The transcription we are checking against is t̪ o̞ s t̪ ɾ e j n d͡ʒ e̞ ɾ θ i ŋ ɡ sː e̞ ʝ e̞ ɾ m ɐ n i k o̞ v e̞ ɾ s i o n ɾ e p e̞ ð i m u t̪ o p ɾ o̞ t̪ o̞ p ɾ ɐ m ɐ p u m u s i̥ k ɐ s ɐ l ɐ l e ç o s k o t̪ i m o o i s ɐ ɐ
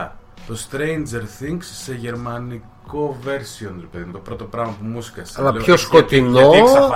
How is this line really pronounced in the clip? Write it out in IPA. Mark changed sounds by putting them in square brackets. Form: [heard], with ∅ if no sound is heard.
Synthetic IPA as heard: t̪ o̞ s t̪ ɾ e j n d͡ʒ e̞ ɾ θ i ŋ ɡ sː e̞ ʝ e̞ ɾ m ɐ n i k o̞ v e̞ ɾ s i o n ɾ e p e̞ ð i m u t̪ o p ɾ o̞ t̪ o̞ p ɾ ɐ m ɐ p u m u s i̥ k ɐ s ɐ l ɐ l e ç o s k o t̪ i [n] o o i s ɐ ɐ